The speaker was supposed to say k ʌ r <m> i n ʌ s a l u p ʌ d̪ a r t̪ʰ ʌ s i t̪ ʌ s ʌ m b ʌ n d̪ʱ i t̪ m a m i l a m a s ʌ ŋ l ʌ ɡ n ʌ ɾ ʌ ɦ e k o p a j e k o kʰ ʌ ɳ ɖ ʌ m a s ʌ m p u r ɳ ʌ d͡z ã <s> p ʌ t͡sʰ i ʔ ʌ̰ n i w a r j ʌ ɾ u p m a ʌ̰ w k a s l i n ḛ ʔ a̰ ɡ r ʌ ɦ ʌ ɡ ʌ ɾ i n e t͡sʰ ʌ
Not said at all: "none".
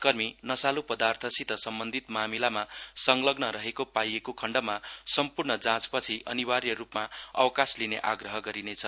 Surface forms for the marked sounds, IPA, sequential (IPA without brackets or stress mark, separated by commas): m, t͡s